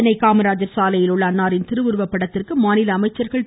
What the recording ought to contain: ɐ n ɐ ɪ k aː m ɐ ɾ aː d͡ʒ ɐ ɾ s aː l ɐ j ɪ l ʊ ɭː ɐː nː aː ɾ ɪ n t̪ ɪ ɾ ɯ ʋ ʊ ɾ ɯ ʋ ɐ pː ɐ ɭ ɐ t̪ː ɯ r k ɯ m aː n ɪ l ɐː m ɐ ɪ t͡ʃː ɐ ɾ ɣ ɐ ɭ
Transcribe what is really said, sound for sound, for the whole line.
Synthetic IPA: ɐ n ɐ ɪ k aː m ɐ ɾ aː d͡ʒ ɐ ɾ s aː l ɐ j ɪ l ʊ ɭː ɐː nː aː ɾ ɪ n t̪ ɪ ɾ ɯ ʋ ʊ ɾ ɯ ʋ ɐ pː ɐ ɽ ɐ t̪ː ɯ r k ɯ m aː n ɪ l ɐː m ɐ ɪ t͡ʃː ɐ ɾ ɣ ɐ ɭ